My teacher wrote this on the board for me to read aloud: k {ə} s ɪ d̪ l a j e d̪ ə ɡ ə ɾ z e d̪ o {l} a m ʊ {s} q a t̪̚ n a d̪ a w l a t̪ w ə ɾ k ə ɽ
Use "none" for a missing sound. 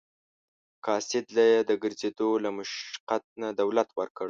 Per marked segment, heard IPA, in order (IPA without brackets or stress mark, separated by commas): ɑ, l, ʃ